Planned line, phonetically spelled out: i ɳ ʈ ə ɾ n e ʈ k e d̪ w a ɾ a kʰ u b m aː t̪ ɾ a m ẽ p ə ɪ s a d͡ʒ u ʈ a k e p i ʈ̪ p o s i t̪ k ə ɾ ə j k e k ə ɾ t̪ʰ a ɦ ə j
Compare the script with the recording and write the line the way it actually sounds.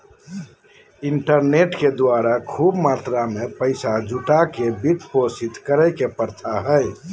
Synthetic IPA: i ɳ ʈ ə ɾ n e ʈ k e d̪ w a ɾ a kʰ u b m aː t̪ ɾ a m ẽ p ə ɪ s a d͡ʒ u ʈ a k e b i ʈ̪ p o s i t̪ k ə ɾ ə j k e p ə ɾ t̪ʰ a ɦ ə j